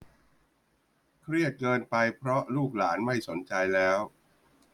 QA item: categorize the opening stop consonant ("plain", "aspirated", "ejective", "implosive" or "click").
aspirated